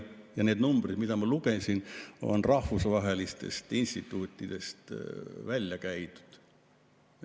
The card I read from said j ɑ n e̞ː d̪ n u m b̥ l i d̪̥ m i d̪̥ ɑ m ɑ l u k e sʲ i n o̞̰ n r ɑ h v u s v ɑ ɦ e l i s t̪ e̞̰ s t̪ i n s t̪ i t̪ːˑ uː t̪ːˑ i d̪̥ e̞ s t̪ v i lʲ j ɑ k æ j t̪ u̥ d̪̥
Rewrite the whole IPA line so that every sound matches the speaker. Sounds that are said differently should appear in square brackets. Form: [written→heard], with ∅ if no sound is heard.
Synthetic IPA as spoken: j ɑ n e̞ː d̪ n u m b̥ [l→r] i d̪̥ m i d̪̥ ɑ m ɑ l u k e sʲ i n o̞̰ n r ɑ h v u s v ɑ ɦ e l i s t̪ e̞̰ s t̪ i n s t̪ i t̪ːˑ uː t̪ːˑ i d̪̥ e̞ s t̪ v [i→æ] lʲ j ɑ k æ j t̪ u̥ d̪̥